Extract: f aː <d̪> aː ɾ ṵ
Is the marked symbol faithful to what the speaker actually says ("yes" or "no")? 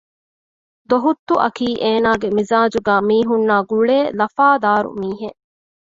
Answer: yes